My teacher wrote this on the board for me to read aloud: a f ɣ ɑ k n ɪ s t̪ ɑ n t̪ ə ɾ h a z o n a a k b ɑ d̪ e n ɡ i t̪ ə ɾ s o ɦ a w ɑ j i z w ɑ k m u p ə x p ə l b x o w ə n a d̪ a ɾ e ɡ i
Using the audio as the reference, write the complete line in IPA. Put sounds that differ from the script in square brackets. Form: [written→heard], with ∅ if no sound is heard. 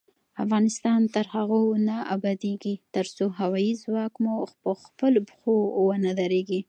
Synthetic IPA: a f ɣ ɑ [k→∅] n ɪ s t̪ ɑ n t̪ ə ɾ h a [z→ɣ] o n a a [k→∅] b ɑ d̪ e [n→∅] ɡ i t̪ ə ɾ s o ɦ a w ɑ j i z w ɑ k m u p ə x p ə l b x o w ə n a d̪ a ɾ e ɡ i